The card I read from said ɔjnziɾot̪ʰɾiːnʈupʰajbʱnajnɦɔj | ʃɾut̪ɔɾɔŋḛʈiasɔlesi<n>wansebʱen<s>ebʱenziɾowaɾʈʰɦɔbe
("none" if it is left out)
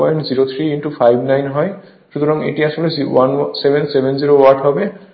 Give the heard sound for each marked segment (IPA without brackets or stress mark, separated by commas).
none, s